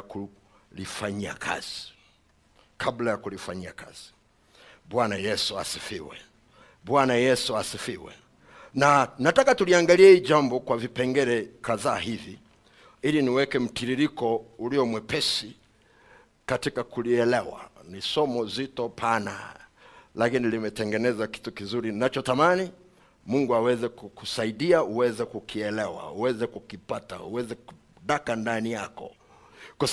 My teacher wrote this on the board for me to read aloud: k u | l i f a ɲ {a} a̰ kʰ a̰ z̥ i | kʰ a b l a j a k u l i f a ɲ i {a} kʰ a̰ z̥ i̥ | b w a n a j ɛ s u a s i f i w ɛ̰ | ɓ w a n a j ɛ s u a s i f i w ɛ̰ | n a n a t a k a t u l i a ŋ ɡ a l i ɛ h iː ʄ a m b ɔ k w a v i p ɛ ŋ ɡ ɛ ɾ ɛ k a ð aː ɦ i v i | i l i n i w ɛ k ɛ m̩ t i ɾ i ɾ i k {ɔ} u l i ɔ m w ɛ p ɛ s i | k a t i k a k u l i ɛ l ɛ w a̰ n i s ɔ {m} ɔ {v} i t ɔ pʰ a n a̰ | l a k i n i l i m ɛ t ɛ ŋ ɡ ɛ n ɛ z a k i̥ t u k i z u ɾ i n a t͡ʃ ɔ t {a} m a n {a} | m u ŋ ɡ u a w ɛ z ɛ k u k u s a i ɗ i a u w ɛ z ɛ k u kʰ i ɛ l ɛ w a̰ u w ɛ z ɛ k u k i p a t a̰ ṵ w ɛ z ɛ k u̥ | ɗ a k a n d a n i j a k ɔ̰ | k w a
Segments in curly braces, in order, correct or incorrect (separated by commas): incorrect, correct, correct, correct, incorrect, correct, incorrect